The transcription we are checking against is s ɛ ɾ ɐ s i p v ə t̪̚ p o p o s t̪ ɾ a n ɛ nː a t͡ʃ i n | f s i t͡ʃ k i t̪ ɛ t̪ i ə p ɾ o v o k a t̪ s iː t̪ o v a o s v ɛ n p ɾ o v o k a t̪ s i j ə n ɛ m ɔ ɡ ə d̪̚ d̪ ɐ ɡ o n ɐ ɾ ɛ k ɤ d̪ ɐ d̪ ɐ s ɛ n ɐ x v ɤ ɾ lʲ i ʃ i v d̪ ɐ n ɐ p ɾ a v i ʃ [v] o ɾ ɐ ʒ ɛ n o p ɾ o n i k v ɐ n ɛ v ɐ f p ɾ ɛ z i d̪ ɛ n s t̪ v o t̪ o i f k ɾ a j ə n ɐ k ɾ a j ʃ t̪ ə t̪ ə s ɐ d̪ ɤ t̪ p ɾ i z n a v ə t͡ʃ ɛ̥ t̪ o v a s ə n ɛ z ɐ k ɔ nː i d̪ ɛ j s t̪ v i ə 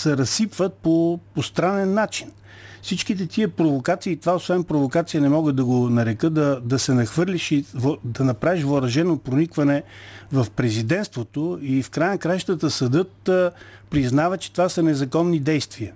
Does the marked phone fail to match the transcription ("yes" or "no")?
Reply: no